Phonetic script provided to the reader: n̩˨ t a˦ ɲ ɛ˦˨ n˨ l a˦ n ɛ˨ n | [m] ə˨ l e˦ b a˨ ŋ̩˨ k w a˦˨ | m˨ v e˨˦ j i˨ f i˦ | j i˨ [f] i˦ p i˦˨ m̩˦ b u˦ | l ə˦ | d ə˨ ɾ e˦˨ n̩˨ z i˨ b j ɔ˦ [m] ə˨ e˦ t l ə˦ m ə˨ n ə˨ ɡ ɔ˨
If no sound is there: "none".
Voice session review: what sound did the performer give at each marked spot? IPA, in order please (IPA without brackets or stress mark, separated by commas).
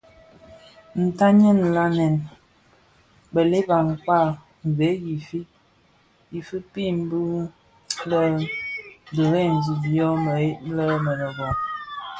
b, f, m